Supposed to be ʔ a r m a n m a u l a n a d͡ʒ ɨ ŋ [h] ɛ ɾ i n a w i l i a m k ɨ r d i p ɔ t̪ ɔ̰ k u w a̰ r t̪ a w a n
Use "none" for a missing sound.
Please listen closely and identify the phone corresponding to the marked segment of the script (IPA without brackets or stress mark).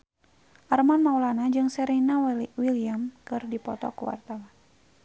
s